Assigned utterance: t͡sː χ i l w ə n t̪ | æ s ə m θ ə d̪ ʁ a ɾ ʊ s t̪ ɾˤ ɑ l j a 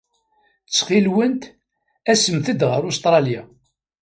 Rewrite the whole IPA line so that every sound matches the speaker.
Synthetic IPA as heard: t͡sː χ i l w ə n t̪ | æ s ə m θ ə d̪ ʁ ə ɾ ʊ s t̪ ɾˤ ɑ l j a